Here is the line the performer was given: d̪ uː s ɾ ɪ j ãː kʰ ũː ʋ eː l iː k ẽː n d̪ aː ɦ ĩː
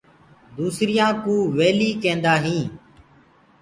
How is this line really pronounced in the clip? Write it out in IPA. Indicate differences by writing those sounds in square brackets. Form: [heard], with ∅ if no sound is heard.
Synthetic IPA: d̪ uː s ɾ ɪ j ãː [k] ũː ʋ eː l iː k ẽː n d̪ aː ɦ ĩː